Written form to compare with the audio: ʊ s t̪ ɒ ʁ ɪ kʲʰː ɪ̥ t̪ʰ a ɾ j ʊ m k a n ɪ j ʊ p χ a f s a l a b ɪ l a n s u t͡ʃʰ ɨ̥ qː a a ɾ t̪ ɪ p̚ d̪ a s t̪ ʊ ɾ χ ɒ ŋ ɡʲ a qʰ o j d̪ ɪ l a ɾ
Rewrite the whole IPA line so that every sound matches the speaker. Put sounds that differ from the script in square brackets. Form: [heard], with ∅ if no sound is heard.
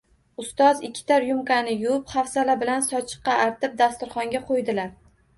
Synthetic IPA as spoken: ʊ s t̪ ɒ [z] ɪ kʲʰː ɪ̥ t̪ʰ a ɾ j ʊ m k a n ɪ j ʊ p χ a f s a l a b ɪ l a n s [ɒ] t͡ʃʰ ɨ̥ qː [ɑ] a ɾ t̪ ɪ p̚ d̪ a s t̪ ʊ ɾ χ ɒ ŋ ɡʲ a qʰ o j d̪ ɪ l a ɾ

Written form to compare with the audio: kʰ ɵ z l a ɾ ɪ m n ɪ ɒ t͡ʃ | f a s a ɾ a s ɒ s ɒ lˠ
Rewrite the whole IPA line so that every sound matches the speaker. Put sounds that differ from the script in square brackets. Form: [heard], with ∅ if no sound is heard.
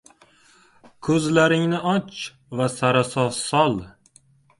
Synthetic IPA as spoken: kʰ ɵ z l a ɾ ɪ [ŋ] n ɪ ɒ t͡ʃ | [v] a s a ɾ a s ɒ s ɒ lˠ

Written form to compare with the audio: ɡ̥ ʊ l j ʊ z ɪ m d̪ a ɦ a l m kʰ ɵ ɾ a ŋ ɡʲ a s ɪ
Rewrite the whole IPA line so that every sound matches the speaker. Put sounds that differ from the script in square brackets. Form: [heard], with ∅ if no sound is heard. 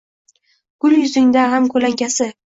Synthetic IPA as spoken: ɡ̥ ʊ l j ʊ z ɪ [ŋ] d̪ a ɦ a [∅] m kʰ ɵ [l] a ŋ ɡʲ a s ɪ

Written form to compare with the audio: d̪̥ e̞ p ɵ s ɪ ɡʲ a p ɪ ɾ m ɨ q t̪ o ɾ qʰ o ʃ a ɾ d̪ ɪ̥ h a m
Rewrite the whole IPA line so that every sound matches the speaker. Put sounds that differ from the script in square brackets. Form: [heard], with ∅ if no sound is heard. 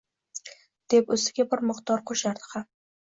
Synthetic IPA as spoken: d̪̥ e̞ p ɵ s ɪ ɡʲ a [b] ɪ ɾ m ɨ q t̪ [ɒ] ɾ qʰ o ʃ a ɾ d̪ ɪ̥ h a m

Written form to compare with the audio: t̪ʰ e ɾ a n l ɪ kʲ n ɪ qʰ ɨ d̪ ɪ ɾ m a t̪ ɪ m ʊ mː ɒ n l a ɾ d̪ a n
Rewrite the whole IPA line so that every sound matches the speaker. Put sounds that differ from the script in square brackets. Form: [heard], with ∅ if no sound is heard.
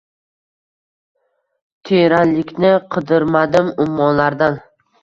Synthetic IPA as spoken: t̪ʰ e ɾ a n l ɪ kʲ n ɪ qʰ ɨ d̪ ɪ ɾ m a [d̪] ɪ m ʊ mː ɒ n l a ɾ d̪ a n

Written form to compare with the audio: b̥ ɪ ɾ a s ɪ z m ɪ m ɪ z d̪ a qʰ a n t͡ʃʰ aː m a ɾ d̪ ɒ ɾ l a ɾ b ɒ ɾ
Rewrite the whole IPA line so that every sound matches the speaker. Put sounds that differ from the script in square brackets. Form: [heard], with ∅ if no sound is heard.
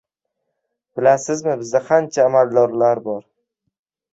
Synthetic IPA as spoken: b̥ ɪ [l] a s ɪ z m ɪ [b] ɪ z d̪ a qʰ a n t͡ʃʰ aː m a [l] d̪ ɒ ɾ l a ɾ b ɒ ɾ

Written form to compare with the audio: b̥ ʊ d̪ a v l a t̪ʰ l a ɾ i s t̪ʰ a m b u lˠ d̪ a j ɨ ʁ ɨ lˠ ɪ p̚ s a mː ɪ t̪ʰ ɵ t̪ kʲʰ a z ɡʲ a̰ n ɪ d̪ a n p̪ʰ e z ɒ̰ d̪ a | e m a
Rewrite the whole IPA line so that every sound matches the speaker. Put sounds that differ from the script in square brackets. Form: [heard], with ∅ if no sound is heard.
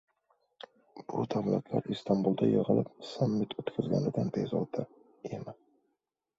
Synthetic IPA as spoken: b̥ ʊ d̪ a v l a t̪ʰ l a ɾ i s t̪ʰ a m b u lˠ d̪ a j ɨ ʁ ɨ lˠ ɪ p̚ s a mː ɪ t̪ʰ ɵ t̪ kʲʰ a z ɡʲ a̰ n ɪ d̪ a n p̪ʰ e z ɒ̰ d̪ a | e m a

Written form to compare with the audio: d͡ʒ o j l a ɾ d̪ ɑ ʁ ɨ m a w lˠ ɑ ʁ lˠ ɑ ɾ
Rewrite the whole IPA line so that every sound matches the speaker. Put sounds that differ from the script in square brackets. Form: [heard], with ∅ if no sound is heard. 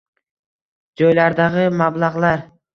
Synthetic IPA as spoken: d͡ʒ o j l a ɾ d̪ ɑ ʁ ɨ m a [b] lˠ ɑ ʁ lˠ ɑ ɾ

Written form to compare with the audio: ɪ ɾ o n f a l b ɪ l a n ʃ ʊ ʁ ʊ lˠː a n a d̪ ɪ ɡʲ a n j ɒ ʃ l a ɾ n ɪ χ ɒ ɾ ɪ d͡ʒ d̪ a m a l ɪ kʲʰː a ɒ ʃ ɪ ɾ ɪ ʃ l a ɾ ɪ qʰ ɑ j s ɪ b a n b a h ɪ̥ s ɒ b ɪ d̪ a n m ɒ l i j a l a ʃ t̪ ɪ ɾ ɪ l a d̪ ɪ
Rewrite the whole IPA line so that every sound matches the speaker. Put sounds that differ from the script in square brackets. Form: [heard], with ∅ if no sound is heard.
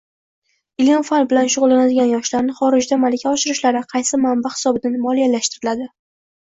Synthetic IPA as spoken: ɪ [l] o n f a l b ɪ l a n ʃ ʊ ʁ ʊ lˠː a n a d̪ ɪ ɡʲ a n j ɒ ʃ l a ɾ n ɪ χ ɒ ɾ ɪ d͡ʒ d̪ a m a l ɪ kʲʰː a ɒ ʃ ɪ ɾ ɪ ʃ l a ɾ ɪ qʰ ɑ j s ɪ [m] a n b a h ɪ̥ s ɒ b ɪ d̪ a n m ɒ l i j a l a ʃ t̪ ɪ ɾ ɪ l a d̪ ɪ

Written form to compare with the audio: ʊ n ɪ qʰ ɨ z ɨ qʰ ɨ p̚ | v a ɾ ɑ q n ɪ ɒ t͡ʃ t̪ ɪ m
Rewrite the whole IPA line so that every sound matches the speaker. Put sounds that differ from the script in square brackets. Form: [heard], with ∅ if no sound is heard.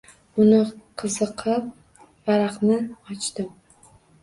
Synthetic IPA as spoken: ʊ n ɪ qʰ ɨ z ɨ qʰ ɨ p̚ | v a ɾ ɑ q n ɪ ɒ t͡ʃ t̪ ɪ m

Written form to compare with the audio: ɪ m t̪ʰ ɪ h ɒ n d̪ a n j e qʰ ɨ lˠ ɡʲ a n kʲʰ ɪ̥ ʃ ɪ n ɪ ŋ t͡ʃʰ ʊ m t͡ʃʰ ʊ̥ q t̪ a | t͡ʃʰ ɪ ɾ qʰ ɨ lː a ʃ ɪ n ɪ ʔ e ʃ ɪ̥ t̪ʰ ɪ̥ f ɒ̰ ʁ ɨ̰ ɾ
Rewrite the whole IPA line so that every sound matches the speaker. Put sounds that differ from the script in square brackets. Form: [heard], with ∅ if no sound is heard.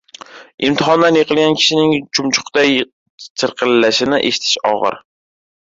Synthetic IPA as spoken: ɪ m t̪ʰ ɪ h ɒ n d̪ a n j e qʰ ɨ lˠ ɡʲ a n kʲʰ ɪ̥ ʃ ɪ n ɪ ŋ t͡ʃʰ ʊ m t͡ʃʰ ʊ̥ q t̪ a | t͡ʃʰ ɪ ɾ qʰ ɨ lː a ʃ ɪ n ɪ ʔ e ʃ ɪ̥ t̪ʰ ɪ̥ [ʃ] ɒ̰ ʁ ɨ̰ ɾ

